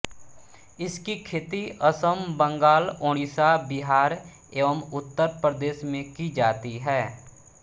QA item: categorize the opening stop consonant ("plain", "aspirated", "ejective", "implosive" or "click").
plain